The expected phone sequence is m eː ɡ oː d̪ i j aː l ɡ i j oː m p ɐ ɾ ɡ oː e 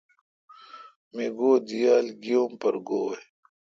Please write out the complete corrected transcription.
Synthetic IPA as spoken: m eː ɡ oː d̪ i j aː l ɡ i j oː m p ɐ ɾ ɡ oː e